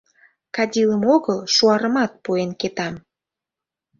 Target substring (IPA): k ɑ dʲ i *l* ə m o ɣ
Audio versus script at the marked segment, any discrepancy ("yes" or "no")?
no